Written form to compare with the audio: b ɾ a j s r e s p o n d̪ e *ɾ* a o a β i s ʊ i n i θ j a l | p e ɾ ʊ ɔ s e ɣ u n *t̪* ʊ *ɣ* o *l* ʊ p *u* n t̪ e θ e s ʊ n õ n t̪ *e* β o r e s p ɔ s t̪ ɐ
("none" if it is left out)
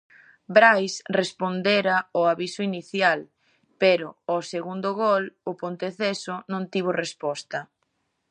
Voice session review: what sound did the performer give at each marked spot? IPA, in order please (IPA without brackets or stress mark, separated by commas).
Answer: ɾ, d̪, ɣ, l, o, i